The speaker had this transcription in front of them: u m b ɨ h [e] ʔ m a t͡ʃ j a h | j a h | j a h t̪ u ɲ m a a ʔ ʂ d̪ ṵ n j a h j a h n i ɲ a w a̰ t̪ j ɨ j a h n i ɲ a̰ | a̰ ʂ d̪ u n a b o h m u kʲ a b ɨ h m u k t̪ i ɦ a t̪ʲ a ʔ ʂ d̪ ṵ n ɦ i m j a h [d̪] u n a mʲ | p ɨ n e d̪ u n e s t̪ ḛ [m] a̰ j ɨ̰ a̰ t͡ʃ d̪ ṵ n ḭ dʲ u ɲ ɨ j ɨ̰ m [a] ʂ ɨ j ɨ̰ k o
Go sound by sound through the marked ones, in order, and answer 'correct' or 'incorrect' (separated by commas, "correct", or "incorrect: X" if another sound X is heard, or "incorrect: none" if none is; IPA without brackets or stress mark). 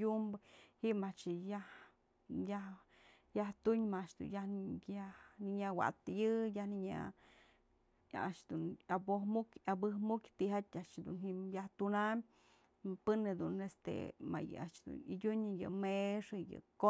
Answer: incorrect: i, incorrect: t̪, correct, incorrect: e